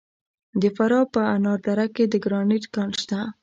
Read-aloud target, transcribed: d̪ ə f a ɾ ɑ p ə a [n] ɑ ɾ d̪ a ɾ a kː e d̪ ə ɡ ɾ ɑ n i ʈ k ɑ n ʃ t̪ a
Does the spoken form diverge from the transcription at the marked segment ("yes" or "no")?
no